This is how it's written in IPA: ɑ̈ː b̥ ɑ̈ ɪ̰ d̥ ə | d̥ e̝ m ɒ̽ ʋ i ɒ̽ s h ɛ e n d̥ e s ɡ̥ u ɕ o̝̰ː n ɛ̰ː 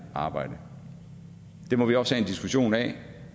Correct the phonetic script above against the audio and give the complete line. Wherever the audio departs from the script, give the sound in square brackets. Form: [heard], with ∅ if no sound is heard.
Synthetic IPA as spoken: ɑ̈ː b̥ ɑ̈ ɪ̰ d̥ ə | d̥ e̝ m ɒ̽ ʋ i ɒ̽ s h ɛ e n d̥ [i] s ɡ̥ u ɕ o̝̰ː n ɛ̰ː